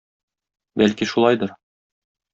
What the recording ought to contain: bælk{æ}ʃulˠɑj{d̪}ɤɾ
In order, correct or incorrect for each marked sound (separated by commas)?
incorrect, correct